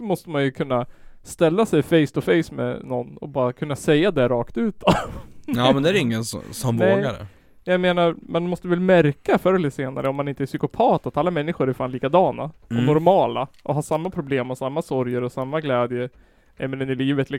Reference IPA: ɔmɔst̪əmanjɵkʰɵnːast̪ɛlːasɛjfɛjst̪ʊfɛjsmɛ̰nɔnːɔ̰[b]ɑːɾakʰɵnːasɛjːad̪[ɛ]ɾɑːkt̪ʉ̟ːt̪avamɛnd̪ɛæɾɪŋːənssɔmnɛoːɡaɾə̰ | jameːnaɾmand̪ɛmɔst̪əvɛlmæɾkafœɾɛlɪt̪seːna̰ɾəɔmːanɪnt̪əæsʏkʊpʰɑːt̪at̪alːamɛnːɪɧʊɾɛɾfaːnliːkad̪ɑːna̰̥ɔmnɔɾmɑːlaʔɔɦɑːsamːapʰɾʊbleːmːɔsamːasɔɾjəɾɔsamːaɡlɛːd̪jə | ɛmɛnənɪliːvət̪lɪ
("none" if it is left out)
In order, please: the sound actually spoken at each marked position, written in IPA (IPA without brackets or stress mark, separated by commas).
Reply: b, ɛ